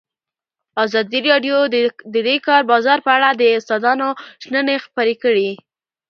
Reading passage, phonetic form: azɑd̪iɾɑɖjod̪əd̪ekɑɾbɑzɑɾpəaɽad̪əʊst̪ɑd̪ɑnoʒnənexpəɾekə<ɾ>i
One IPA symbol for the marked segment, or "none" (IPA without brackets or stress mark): ɽ